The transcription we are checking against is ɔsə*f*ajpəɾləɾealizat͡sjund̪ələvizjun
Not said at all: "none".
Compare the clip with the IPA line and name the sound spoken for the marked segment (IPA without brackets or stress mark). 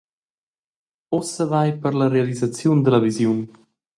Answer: v